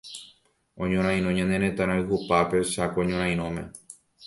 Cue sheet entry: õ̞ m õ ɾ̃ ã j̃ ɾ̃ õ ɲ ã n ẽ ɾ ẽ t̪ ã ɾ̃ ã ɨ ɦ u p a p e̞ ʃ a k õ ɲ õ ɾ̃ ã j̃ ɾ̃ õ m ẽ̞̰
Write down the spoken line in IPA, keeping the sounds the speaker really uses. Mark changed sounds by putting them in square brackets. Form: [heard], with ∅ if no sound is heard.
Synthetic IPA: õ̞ [ɲ] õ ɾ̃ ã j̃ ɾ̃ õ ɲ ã n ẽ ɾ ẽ t̪ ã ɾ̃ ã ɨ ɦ u p a p e̞ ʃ a k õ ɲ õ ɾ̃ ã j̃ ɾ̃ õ m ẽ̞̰